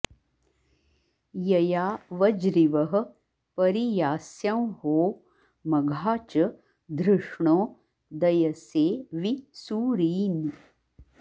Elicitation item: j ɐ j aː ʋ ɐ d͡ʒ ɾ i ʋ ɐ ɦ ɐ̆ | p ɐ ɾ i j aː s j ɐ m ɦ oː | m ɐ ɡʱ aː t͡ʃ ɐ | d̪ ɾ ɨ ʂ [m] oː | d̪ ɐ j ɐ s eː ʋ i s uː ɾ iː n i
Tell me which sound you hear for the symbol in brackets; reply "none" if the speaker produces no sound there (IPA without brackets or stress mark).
ɳ